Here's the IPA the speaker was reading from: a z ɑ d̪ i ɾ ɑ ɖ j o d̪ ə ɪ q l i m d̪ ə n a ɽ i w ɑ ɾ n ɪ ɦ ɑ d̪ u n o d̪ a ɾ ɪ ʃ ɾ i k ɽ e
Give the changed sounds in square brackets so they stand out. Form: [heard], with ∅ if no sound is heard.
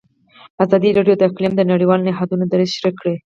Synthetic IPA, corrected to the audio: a z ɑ d̪ i ɾ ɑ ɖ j o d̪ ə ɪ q l i m d̪ ə n a ɽ i w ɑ [l] n ɪ ɦ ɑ d̪ u n o d̪ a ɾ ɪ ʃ ɾ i k ɽ e